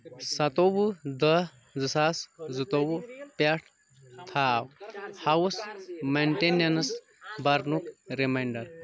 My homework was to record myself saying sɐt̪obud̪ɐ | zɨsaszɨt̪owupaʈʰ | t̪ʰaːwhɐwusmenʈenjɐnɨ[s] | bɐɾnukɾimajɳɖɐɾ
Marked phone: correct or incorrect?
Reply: correct